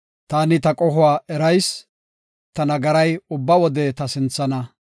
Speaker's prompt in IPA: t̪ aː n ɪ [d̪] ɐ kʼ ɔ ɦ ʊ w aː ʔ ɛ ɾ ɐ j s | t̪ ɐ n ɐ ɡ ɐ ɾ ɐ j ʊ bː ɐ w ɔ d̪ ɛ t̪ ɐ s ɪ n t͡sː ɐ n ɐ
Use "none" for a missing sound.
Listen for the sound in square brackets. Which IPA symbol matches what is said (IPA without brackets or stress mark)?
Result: t̪